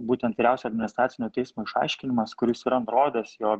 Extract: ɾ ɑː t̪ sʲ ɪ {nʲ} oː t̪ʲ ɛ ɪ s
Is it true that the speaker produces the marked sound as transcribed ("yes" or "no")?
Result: yes